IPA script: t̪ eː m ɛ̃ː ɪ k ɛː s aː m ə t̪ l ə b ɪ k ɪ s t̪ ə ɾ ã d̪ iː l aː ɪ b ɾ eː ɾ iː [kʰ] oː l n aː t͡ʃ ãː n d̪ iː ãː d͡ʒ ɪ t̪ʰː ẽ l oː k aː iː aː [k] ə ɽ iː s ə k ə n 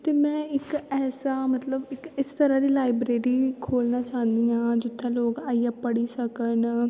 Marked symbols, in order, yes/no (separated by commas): yes, no